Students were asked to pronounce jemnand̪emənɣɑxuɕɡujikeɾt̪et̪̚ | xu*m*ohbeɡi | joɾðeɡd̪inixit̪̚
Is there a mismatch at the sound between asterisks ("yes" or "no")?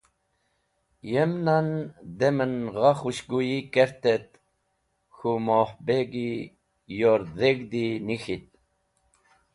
no